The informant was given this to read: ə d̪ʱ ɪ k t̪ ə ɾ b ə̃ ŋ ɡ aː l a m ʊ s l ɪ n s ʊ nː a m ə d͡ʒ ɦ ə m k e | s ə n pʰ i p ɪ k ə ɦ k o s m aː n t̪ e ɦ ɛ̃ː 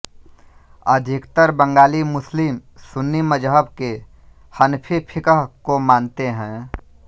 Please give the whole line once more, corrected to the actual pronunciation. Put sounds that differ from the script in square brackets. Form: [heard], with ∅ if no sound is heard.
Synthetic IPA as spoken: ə d̪ʱ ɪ k t̪ ə ɾ b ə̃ ŋ ɡ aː l [i] m ʊ s l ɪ [m] s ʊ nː [i] m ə d͡ʒ ɦ ə [b] k e | [h] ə n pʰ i [pʰ] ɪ k ə ɦ k o [∅] m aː n t̪ e ɦ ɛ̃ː